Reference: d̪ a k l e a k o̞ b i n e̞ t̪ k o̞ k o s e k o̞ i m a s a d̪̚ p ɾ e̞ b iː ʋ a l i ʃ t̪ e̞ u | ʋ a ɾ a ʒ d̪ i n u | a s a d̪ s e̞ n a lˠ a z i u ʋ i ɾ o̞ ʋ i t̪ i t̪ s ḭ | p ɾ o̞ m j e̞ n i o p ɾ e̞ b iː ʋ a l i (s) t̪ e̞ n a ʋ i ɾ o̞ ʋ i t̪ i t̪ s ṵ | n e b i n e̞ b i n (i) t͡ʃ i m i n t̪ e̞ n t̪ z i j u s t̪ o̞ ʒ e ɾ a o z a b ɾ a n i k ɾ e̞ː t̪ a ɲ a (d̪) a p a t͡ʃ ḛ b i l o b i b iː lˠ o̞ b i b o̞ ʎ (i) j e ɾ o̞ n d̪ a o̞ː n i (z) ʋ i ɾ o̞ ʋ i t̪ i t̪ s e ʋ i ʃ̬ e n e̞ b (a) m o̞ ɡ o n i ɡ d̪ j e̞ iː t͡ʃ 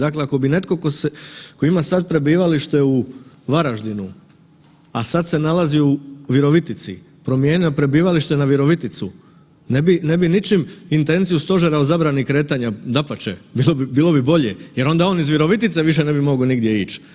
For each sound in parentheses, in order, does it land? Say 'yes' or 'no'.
no, yes, yes, no, yes, no

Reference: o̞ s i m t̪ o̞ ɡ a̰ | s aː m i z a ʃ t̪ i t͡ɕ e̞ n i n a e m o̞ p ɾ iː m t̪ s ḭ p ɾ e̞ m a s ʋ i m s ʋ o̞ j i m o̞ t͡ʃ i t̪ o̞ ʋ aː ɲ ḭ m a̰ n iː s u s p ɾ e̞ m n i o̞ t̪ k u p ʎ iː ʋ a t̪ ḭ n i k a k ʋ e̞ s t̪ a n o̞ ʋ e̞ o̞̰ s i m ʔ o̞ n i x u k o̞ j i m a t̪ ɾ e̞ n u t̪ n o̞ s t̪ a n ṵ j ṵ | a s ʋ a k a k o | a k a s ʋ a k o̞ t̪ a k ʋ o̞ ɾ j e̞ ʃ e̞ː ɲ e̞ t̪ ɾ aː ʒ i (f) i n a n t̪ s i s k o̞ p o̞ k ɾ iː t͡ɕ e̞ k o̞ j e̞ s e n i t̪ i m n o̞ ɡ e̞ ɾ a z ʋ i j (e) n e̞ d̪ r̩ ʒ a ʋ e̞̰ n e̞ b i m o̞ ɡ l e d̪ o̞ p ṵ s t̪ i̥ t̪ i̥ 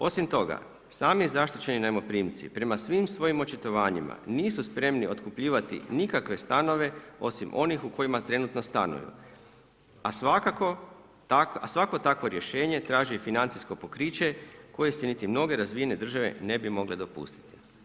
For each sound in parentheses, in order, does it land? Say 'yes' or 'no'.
yes, yes

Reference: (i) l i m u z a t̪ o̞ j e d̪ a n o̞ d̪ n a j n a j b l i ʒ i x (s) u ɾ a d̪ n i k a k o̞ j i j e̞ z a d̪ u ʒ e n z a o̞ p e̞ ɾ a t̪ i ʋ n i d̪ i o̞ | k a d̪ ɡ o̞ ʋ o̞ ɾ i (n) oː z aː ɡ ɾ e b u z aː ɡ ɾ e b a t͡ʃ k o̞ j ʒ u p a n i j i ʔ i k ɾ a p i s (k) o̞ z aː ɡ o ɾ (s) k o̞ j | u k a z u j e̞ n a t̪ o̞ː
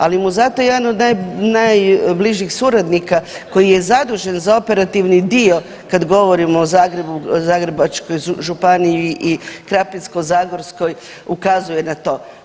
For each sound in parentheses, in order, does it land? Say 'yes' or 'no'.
no, yes, no, yes, yes

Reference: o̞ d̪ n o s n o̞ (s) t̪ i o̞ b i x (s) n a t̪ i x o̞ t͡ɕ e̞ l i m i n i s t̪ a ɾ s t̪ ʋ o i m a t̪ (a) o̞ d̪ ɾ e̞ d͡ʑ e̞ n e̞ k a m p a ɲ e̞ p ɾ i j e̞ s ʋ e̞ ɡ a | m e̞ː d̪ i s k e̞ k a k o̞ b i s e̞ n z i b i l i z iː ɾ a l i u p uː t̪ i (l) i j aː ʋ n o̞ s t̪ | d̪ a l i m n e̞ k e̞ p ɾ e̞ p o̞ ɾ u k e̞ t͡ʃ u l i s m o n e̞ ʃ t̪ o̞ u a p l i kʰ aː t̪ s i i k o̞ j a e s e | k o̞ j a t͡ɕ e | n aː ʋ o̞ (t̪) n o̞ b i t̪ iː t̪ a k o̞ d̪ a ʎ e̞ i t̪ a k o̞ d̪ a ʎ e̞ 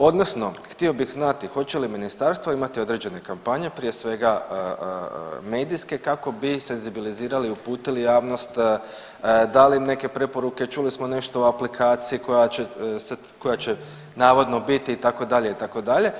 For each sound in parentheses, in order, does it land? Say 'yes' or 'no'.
no, no, no, yes, no

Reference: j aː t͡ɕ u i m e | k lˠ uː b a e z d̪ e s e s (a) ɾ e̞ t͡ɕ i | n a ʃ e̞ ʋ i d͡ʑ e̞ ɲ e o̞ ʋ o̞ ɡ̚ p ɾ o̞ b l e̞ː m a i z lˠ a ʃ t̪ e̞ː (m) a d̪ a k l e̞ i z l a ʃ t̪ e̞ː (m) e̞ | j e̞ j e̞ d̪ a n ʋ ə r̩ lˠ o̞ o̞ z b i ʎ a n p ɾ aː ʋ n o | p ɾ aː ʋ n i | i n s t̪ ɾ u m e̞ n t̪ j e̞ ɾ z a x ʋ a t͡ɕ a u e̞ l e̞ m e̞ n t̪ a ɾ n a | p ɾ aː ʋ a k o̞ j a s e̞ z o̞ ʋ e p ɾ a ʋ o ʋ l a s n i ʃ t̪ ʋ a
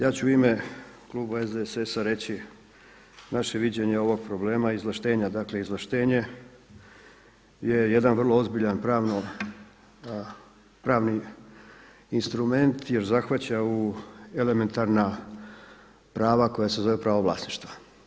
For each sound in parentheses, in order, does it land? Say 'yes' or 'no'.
yes, no, no

